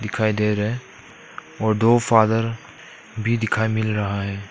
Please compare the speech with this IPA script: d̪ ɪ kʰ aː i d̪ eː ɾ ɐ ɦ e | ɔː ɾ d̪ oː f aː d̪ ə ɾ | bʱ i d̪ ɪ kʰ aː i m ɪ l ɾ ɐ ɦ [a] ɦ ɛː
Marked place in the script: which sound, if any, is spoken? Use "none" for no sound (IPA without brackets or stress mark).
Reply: a